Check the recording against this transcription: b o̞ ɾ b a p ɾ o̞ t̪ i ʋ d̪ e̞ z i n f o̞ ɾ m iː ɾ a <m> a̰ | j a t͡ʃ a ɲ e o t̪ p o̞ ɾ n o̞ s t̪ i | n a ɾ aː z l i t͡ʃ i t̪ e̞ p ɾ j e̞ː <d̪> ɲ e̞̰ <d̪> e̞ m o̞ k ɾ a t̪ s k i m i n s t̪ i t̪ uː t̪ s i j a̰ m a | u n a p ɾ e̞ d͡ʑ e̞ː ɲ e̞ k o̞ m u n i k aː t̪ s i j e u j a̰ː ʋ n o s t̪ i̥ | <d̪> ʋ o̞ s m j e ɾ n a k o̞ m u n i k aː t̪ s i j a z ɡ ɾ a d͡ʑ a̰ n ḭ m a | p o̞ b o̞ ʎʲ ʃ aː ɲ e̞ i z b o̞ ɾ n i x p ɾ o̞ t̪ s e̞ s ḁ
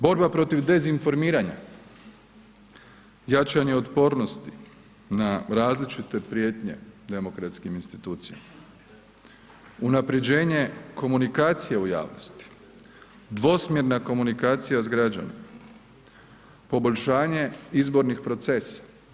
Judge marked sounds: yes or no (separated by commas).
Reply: no, no, yes, yes